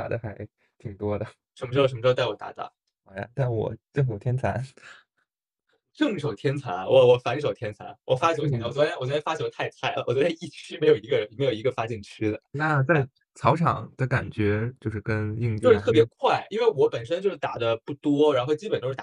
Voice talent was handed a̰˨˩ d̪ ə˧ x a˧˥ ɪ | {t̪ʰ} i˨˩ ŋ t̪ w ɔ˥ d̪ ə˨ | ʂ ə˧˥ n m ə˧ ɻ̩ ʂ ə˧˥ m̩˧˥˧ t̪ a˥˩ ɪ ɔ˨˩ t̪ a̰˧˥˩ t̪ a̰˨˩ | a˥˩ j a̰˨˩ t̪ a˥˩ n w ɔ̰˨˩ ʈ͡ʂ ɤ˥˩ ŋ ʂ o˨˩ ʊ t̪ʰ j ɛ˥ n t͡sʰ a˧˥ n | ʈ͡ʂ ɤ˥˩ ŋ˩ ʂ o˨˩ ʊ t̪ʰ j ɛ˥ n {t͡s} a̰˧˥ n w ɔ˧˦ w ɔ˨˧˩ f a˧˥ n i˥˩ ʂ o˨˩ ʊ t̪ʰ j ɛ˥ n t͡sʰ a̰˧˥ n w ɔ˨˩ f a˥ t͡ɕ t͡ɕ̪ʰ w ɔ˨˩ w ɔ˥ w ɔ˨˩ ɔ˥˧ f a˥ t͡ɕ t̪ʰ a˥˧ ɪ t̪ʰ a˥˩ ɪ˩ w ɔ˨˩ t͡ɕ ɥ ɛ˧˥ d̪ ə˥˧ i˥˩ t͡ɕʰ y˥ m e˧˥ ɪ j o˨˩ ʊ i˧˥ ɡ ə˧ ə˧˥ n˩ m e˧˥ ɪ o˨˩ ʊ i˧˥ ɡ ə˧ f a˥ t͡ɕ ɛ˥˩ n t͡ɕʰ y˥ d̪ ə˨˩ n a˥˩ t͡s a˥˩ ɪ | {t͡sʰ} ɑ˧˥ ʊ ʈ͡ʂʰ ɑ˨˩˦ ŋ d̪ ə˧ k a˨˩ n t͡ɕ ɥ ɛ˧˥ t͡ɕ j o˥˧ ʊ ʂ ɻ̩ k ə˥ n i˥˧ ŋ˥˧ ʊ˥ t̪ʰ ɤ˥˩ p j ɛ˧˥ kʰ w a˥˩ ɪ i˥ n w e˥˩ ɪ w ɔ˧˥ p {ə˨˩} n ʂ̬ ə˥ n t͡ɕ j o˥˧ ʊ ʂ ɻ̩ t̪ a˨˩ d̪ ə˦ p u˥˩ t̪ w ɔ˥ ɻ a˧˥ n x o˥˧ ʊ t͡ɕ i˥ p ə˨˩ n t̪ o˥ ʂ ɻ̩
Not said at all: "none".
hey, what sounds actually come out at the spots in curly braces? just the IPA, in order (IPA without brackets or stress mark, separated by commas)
t̪ʰ, t͡sʰ, t͡sʰ, ə˨˩